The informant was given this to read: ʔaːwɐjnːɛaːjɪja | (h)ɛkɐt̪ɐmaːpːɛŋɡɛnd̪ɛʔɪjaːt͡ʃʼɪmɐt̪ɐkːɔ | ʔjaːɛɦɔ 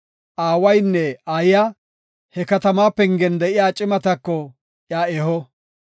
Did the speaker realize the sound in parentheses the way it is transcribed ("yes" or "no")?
yes